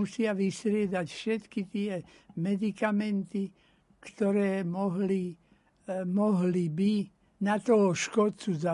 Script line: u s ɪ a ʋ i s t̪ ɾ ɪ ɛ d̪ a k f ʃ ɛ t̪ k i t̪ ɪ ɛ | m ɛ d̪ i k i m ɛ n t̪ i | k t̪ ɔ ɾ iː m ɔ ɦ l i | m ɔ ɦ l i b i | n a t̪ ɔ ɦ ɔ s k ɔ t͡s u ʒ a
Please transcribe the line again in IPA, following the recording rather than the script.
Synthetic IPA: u s ɪ a ʋ i s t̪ ɾ ɪ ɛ d̪ a c f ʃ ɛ t̪ k i t̪ ɪ ɛ | m ɛ d̪ i k a m ɛ n t̪ i | k t̪ ɔ ɾ ɛː m ɔ ɦ l i | m ɔ ɦ l i b i | n a t̪ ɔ ɦ ɔ ʃ k ɔ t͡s u z a